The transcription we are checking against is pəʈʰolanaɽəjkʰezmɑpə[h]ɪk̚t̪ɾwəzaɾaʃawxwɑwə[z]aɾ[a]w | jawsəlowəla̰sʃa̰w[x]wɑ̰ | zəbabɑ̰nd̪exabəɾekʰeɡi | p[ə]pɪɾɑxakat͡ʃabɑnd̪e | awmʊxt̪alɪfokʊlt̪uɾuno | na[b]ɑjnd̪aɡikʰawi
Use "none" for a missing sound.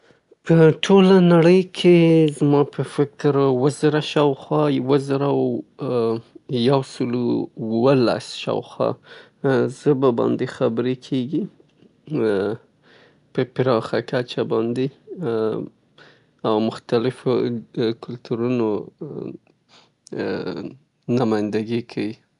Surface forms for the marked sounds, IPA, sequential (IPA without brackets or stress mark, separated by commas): f, z, a, x, ə, m